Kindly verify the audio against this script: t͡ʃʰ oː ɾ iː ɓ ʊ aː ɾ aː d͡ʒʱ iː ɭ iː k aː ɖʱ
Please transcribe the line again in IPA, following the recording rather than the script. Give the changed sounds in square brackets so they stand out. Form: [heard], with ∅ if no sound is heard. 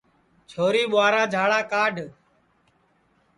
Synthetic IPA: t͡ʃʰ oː ɾ iː ɓ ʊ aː ɾ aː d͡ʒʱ [aː] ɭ [aː] k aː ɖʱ